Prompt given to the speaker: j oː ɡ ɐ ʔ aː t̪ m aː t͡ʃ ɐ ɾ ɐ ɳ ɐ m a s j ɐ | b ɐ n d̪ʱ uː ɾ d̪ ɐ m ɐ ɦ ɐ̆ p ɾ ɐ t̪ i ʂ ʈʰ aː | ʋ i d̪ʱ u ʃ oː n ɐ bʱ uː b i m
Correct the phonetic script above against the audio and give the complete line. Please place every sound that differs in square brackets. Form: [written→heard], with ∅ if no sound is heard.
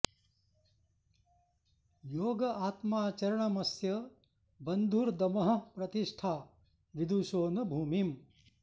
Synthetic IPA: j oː ɡ ɐ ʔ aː t̪ m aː t͡ʃ ɐ ɾ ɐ ɳ ɐ m [a→ɐ] s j ɐ | b ɐ n d̪ʱ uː ɾ d̪ ɐ m ɐ ɦ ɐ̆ p ɾ ɐ t̪ i ʂ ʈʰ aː | ʋ i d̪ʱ u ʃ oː n ɐ bʱ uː [b→m] i m